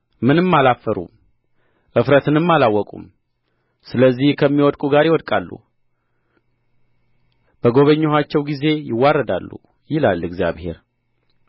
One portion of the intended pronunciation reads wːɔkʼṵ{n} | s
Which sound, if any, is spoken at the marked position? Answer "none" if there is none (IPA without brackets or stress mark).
m